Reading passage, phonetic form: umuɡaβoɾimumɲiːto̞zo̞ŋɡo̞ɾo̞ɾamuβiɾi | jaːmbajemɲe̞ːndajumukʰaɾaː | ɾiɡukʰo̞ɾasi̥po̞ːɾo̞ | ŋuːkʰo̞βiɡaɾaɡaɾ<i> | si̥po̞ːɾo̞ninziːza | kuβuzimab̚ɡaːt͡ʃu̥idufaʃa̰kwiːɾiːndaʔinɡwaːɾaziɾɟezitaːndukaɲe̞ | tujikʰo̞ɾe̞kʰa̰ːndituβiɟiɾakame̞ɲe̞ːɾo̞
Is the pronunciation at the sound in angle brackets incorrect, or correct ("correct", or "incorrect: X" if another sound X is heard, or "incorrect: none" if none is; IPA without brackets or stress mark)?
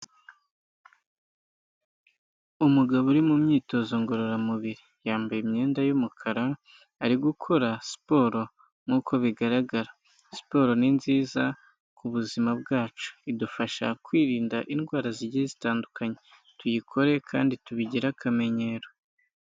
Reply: incorrect: a